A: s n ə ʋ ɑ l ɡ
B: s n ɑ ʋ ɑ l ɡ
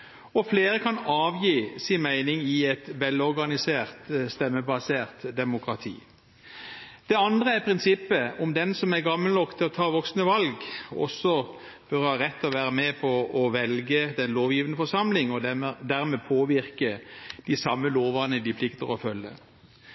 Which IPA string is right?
A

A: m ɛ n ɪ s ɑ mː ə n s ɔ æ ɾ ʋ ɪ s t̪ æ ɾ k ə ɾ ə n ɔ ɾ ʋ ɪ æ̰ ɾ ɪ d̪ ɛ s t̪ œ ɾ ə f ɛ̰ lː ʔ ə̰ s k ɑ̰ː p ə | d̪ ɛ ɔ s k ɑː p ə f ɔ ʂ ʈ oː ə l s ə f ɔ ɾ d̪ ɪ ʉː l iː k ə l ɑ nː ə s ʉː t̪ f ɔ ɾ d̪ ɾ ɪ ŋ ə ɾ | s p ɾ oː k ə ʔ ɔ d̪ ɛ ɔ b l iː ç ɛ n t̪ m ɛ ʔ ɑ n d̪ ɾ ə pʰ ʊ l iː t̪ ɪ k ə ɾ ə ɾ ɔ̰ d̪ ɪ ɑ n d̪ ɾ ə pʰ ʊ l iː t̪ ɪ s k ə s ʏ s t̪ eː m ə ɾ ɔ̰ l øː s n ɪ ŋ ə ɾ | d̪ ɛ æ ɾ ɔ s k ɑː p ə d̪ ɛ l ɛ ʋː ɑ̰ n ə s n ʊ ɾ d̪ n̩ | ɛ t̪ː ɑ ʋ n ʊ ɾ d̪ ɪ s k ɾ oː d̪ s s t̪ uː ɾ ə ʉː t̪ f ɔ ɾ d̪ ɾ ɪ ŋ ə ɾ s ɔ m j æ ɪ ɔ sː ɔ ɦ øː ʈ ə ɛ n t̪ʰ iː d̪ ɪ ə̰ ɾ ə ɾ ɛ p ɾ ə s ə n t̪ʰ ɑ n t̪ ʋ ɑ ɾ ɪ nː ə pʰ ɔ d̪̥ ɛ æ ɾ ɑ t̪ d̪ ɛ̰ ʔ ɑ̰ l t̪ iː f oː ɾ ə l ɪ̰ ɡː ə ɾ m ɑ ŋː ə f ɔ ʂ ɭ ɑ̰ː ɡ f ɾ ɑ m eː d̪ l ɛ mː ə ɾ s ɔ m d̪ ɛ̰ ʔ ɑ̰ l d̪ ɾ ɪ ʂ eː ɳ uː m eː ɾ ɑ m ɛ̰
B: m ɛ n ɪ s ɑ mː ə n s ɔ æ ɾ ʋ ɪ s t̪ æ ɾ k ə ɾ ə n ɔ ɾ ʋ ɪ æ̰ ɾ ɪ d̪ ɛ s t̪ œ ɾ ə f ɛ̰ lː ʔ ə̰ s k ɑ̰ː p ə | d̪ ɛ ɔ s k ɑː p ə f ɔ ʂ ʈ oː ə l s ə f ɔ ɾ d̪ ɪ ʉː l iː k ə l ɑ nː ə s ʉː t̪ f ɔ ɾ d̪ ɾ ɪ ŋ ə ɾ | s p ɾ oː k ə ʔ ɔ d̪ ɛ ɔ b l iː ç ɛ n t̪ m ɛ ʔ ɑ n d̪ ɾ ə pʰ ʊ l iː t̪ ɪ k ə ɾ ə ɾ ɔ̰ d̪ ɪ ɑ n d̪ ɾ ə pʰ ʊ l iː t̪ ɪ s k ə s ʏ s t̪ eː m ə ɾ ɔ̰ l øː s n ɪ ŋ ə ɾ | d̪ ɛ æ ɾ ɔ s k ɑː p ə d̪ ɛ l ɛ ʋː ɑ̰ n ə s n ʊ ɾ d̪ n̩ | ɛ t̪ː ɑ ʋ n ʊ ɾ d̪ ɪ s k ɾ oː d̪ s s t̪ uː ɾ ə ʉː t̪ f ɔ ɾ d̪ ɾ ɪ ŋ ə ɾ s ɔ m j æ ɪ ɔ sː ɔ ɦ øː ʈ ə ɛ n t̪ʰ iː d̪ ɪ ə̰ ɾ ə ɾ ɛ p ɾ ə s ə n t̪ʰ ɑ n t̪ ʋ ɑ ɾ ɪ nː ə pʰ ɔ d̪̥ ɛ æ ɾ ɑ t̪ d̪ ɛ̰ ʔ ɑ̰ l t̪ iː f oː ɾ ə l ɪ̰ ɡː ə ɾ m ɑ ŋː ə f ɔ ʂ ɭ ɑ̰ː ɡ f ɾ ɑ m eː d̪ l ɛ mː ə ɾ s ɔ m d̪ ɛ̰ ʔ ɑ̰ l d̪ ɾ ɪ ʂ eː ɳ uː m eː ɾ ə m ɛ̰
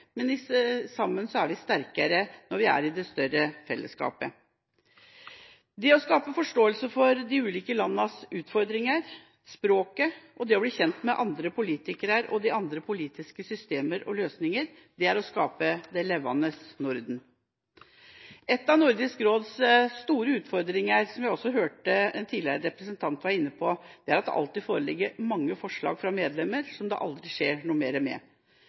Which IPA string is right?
B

